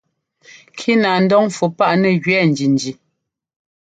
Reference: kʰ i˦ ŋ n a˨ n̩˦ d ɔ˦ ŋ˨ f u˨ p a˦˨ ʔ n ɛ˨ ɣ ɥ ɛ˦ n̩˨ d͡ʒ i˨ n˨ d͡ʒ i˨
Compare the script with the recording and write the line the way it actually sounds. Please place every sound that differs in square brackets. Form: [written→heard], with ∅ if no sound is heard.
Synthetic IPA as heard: kʰ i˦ [ŋ→∅] n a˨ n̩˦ d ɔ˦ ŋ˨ f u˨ p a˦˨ ʔ n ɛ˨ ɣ ɥ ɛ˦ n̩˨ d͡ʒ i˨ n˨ d͡ʒ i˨